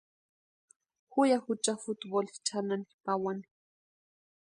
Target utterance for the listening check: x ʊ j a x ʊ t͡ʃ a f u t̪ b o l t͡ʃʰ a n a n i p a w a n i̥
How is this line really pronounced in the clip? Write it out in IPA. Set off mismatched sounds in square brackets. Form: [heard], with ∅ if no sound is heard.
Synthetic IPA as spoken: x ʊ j a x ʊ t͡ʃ a f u t̪ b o l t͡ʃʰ a n a n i p a w a n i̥